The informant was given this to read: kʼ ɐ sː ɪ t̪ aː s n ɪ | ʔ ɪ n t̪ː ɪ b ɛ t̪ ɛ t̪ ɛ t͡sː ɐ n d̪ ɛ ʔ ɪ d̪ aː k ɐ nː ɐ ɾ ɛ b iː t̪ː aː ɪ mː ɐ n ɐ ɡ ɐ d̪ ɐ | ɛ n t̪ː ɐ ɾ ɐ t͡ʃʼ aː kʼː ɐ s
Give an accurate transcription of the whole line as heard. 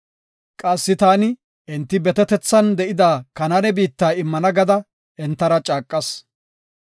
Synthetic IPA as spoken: kʼ ɐ sː ɪ t̪ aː n ɪ | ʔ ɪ n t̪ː ɪ b ɛ t̪ ɛ t̪ ɛ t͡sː ɐ n d̪ ɛ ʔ ɪ d̪ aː k ɐ n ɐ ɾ ɛ b iː t̪ː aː ɪ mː ɐ n ɐ ɡ ɐ d̪ ɐ | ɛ n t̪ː ɐ ɾ ɐ t͡ʃʼ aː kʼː ɐ s